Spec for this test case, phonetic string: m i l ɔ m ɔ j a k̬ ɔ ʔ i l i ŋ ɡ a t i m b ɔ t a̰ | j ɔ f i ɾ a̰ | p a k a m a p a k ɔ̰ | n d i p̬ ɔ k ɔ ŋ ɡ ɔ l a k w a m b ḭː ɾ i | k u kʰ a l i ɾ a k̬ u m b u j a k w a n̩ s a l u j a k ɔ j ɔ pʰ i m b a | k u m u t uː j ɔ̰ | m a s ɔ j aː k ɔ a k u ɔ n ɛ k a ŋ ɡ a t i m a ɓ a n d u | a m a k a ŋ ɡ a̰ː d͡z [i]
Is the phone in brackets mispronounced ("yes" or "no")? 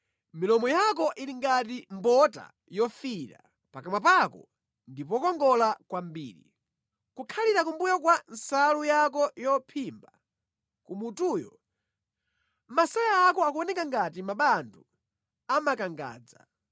yes